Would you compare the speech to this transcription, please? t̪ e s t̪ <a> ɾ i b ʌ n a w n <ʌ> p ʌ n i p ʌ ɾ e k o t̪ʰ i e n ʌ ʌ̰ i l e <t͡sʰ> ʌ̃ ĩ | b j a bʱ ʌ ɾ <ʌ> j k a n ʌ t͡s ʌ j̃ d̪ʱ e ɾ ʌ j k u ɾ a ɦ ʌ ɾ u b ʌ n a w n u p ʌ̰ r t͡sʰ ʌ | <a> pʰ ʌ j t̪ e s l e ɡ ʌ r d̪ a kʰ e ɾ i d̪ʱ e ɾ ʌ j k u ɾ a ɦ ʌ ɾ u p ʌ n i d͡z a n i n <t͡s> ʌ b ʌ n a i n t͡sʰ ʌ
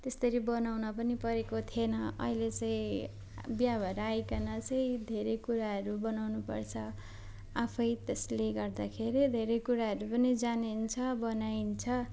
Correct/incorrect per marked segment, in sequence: incorrect: ʌ, correct, incorrect: t͡s, incorrect: a, correct, incorrect: t͡sʰ

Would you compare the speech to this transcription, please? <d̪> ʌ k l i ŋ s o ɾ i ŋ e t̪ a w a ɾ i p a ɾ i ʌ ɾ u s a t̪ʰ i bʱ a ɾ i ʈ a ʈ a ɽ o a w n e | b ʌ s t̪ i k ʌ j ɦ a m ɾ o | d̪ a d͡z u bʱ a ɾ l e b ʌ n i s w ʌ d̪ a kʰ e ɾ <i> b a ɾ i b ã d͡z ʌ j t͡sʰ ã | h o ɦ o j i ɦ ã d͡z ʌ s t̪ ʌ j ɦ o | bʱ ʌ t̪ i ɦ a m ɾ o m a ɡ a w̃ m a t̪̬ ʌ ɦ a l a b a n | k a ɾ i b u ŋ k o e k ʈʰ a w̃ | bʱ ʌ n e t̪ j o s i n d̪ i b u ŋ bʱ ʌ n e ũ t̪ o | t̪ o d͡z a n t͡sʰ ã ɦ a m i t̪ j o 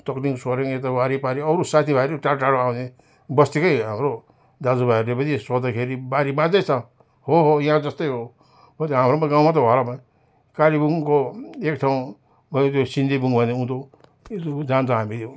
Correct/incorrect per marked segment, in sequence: incorrect: t̪, correct

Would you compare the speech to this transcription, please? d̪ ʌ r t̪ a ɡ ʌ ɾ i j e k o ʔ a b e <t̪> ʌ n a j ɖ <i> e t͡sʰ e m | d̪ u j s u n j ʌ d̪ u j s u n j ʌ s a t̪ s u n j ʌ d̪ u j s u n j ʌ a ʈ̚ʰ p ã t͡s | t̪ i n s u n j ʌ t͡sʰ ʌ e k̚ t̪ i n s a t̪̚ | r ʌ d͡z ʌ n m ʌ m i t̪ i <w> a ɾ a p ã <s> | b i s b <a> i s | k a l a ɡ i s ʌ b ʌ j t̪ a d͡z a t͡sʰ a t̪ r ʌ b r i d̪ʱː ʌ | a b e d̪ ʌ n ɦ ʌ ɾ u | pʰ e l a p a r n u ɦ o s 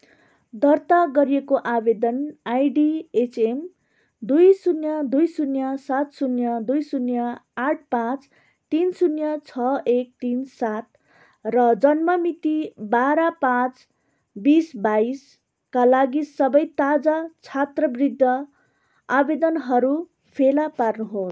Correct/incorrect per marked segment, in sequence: incorrect: d̪, correct, incorrect: b, incorrect: t͡s, correct

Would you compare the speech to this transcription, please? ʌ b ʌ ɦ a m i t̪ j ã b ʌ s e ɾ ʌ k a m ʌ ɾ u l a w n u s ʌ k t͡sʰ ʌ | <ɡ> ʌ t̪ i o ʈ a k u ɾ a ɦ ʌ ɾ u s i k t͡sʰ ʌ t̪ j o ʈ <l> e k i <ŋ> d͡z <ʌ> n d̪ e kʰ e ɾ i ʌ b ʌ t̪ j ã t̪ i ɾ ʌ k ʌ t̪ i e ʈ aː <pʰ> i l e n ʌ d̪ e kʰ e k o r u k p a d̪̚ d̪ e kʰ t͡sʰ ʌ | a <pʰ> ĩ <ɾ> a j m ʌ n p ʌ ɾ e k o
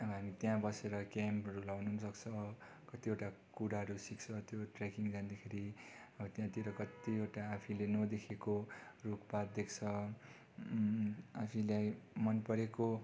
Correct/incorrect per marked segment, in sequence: incorrect: k, incorrect: r, correct, incorrect: a, correct, correct, incorrect: l

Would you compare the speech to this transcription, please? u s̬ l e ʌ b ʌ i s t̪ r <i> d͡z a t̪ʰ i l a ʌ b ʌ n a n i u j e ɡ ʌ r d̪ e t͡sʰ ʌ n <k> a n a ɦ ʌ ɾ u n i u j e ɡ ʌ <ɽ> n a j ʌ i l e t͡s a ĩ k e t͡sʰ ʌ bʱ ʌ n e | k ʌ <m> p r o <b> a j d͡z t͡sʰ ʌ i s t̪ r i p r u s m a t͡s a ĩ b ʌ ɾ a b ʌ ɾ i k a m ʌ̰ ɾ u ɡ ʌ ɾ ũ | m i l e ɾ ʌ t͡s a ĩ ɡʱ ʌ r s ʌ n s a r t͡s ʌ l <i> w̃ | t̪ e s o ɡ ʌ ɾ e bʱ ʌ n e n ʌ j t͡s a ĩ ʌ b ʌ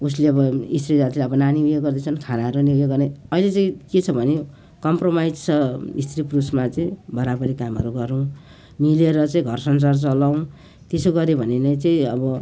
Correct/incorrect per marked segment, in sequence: correct, incorrect: kʰ, incorrect: r, correct, incorrect: m, incorrect: a

